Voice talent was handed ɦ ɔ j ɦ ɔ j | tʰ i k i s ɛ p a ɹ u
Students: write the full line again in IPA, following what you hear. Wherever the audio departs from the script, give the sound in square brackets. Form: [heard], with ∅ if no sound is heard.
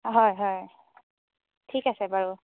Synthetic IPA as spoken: ɦ ɔ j ɦ ɔ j | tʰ i k [a] s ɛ [b] a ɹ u